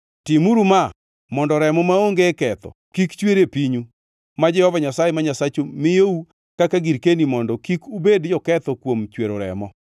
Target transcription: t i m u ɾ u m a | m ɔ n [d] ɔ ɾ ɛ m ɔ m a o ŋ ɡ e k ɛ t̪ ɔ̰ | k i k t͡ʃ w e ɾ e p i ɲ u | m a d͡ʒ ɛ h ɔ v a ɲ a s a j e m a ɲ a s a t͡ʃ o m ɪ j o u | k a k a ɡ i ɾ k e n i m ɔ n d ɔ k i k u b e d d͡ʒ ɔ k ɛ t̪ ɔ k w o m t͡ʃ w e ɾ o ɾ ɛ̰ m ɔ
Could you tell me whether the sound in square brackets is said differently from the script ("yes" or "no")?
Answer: no